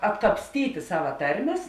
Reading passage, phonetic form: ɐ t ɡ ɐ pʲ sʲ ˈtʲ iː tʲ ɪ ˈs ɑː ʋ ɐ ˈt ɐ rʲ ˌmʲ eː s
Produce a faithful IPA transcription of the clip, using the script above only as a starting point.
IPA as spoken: ɐ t k ɐ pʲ sʲ ˈtʲ iː tʲ ɪ ˈs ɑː ʋ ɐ ˈt ɐ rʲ ˌmʲ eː s